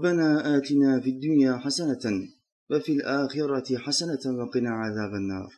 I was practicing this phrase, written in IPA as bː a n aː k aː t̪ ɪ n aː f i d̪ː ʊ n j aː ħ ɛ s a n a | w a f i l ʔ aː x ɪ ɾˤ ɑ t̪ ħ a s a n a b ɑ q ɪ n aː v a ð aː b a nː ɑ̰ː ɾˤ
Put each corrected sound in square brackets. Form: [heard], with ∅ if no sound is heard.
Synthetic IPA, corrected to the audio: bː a n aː [ʔ] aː t̪ ɪ n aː f i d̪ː ʊ n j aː ħ [a] s a n a | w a f i l ʔ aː x ɪ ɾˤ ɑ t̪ ħ a s a n a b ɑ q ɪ n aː [ʕ] a ð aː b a nː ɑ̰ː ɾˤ